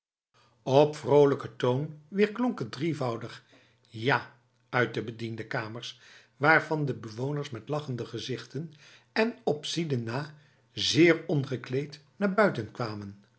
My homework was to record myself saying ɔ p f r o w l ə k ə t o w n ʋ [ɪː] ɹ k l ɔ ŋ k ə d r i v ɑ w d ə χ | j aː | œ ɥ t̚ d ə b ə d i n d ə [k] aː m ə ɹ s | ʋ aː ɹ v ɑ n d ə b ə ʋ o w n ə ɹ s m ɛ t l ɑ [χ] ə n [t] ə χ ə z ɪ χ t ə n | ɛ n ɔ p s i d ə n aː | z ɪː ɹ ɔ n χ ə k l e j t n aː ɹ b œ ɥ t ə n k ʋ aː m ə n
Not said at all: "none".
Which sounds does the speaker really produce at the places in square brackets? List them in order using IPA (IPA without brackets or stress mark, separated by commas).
ɪː, k, χ, d